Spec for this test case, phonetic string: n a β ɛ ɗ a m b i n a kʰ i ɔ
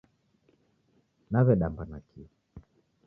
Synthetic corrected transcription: n a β ɛ ɗ a m b a n a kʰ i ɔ